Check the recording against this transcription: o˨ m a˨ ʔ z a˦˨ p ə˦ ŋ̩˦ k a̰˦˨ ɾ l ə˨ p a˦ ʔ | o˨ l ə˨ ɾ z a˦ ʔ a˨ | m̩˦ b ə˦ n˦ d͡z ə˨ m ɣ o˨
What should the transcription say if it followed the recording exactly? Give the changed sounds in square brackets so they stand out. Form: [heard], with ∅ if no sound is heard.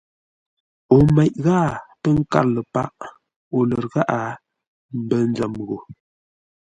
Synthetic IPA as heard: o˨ m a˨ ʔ [ɣ] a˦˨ p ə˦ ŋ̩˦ k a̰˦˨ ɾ l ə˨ p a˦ ʔ | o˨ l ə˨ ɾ [ɣ] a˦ ʔ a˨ | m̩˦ b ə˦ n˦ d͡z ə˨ m ɣ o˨